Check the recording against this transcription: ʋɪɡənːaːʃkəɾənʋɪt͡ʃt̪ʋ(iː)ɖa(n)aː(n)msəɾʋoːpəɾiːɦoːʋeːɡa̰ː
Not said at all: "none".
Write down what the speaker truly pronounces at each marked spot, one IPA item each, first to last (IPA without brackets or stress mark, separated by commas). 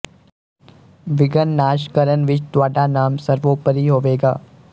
aː, n, none